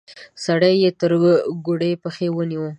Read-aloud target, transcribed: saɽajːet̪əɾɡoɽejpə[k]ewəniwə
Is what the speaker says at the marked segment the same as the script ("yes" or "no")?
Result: no